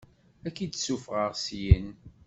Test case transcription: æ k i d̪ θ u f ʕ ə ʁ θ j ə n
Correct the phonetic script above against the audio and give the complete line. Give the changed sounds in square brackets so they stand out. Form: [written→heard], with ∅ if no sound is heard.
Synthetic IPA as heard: æ k i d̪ [θ→s] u f [ʕ→ʁ] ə ʁ [θ→s] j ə n